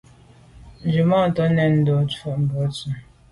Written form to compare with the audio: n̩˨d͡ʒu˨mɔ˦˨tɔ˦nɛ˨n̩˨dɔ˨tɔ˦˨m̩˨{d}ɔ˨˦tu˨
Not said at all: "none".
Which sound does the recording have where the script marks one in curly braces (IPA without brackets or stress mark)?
b